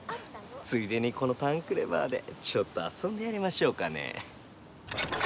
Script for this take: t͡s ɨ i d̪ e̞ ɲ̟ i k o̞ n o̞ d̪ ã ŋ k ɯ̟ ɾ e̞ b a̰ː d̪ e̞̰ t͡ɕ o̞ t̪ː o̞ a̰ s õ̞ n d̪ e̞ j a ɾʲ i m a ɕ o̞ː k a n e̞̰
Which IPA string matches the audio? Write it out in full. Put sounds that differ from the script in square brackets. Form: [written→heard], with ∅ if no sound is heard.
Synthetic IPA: t͡s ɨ i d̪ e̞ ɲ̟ i k o̞ n o̞ [d̪→t̪] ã ŋ k ɯ̟ ɾ e̞ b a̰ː d̪ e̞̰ t͡ɕ o̞ t̪ː o̞ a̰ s õ̞ n d̪ e̞ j a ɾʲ i m a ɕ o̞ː k a n e̞̰